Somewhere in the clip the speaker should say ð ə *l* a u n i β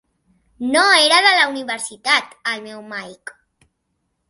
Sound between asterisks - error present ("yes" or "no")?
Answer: no